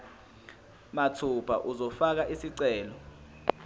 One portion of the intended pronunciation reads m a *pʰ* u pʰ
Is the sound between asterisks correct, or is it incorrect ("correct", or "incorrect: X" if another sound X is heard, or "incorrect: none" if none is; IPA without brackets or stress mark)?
incorrect: tʰ